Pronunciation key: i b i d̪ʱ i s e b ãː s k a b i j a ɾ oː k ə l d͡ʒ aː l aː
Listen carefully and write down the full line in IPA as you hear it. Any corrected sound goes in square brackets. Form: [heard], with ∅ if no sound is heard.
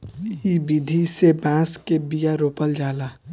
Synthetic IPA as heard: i b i d̪ʱ i s e b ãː s k [e] b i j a ɾ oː [p] ə l d͡ʒ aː l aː